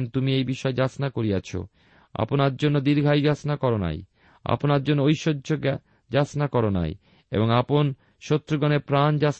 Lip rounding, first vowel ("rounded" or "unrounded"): rounded